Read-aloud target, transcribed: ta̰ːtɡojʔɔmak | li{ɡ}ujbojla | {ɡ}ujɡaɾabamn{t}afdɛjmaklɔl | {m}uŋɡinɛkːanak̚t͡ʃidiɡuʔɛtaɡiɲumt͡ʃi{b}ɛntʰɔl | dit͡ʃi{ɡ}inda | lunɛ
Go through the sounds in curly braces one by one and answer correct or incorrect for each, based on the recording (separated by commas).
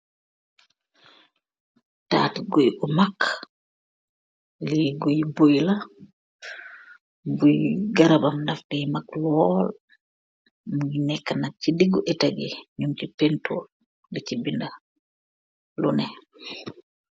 correct, incorrect, incorrect, correct, incorrect, incorrect